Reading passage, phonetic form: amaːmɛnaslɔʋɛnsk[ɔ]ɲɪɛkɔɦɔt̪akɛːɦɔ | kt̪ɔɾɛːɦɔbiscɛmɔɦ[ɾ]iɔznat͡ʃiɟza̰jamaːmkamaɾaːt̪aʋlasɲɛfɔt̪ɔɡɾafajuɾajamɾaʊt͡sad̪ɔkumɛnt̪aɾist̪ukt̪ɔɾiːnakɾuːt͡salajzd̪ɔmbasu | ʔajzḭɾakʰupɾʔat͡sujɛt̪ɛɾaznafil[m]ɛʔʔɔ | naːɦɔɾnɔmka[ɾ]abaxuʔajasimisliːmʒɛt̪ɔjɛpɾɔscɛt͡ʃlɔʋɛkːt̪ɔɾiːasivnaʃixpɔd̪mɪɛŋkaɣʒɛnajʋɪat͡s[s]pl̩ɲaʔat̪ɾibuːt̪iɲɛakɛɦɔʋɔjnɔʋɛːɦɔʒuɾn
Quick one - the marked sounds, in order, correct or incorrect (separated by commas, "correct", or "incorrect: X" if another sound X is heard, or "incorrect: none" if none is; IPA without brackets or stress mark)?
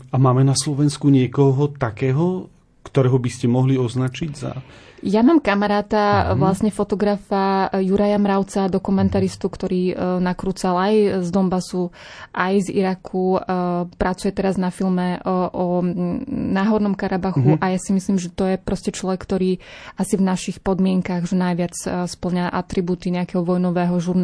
incorrect: u, incorrect: l, correct, correct, correct